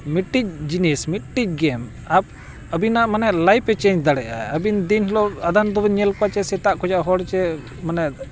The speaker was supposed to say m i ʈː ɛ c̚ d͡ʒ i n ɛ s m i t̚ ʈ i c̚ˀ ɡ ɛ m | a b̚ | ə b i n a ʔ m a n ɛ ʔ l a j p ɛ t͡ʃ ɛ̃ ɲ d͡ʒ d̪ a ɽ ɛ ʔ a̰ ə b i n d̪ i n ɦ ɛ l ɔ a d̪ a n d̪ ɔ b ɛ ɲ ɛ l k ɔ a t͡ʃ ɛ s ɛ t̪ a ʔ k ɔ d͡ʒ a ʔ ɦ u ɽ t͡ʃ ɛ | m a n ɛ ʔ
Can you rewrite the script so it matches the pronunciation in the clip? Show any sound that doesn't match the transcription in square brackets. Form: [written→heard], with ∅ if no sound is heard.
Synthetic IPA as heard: m i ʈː [ɛ→i] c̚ d͡ʒ i n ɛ s m i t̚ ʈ i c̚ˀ ɡ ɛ m | a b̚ | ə b i n a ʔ m a n ɛ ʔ l a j p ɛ t͡ʃ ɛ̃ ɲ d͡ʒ d̪ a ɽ ɛ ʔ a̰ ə b i n d̪ i n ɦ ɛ l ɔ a d̪ a n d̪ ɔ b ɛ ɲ ɛ l k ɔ a t͡ʃ ɛ s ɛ t̪ a ʔ k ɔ d͡ʒ a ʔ ɦ [u→ɔ] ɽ t͡ʃ ɛ | m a n ɛ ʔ